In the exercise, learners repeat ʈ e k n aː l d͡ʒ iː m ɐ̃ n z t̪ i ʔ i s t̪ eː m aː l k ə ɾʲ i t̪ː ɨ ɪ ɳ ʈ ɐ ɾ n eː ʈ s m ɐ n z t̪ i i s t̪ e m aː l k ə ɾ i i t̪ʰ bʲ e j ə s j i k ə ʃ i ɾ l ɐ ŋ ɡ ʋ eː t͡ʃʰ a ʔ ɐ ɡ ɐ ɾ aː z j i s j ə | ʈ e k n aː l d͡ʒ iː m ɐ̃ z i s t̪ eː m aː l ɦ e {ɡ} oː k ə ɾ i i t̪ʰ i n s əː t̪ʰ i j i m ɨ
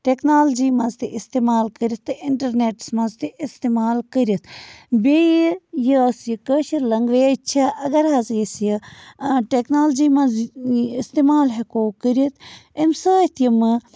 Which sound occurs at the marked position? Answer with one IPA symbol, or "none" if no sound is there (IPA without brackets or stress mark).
k